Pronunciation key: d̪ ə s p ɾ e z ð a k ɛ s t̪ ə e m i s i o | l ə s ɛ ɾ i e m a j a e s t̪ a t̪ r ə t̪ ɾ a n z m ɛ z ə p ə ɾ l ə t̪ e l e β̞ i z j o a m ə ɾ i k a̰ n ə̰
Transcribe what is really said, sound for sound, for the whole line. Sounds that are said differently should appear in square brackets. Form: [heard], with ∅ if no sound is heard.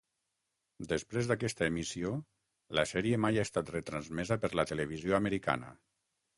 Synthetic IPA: d̪ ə s p ɾ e z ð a k ɛ s t̪ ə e m i s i o | l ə s ɛ ɾ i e m a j a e s t̪ a t̪ r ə t̪ ɾ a n z m ɛ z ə p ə ɾ l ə t̪ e l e β̞ i z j o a m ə ɾ i k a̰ n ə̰